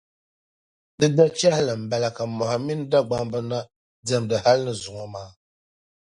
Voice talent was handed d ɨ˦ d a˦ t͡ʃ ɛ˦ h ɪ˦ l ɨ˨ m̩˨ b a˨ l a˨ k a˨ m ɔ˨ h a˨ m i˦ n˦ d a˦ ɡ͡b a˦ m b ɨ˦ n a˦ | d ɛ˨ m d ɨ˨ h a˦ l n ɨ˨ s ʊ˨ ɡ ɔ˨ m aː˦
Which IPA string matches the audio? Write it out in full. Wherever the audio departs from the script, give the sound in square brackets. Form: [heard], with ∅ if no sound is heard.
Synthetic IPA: d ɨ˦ d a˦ t͡ʃ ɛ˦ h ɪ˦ l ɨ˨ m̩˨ b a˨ l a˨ k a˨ m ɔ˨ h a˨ m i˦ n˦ d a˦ ɡ͡b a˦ m b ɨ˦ n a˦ | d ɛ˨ m d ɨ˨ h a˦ l n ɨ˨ [z] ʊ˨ [ŋ] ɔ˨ m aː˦